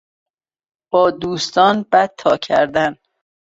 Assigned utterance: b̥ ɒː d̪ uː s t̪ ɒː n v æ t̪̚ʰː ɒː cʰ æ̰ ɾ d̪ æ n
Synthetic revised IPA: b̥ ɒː d̪ uː s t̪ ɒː n b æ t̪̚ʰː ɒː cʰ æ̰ ɾ d̪ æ n